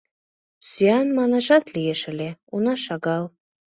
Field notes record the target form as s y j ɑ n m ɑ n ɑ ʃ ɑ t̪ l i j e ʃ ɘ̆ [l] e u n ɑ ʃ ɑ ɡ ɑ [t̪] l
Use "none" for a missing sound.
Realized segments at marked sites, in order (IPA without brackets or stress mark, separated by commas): l, none